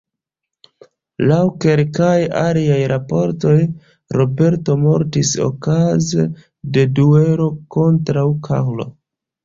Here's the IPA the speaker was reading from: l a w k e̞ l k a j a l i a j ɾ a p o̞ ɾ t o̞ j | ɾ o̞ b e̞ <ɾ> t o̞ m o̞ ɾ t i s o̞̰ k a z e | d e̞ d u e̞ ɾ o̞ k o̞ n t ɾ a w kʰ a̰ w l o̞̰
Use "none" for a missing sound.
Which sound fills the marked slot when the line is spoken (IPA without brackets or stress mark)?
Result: ɾ